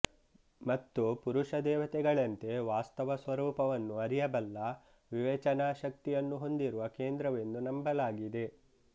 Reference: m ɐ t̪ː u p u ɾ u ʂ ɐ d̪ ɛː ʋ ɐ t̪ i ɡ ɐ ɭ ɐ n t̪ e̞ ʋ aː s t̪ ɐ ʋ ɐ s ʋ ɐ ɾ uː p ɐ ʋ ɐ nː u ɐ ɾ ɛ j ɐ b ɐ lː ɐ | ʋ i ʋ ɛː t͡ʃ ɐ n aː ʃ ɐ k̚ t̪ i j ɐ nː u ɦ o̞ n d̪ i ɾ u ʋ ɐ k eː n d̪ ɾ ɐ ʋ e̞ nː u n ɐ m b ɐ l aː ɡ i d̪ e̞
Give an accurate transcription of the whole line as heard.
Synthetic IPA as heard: m ɐ t̪ː u p u ɾ u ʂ ɐ d̪ ɛː ʋ ɐ t̪ ɛ ɡ ɐ ɭ ɐ n t̪ e̞ ʋ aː s t̪ ɐ ʋ ɐ s ʋ ɐ ɾ uː p ɐ ʋ ɐ nː u ɐ ɾ i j ɐ b ɐ lː ɐ | ʋ i ʋ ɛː t͡ʃ ɐ n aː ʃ ɐ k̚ t̪ i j ɐ nː u ɦ o̞ n d̪ i ɾ u ʋ ɐ k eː n d̪ ɾ ɐ ʋ e̞ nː u n ɐ m b ɐ l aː ɡ i d̪ e̞